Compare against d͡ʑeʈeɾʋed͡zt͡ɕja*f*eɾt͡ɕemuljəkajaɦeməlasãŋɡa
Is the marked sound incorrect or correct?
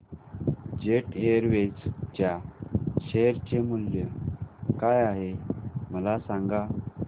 incorrect: ɕ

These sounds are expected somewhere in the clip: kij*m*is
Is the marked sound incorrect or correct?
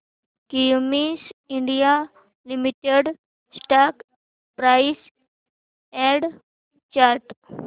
correct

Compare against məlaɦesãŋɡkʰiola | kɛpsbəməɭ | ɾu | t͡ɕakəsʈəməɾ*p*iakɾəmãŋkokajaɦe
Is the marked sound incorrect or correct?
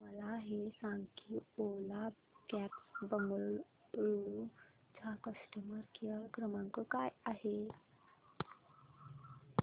incorrect: k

